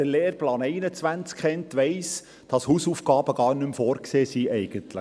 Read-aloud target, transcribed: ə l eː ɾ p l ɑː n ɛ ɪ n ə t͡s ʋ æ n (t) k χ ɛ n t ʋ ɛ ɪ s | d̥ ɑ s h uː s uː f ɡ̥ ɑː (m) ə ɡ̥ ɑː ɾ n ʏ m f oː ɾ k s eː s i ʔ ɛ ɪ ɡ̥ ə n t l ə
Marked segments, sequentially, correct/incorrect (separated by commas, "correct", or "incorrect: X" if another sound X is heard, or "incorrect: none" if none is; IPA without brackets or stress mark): incorrect: t͡s, incorrect: b